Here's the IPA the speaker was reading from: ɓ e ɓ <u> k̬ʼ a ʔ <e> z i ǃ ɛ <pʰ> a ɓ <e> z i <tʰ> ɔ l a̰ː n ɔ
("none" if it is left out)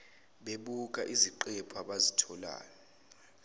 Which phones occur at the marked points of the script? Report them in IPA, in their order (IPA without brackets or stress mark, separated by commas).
u, i, pʰ, a, tʰ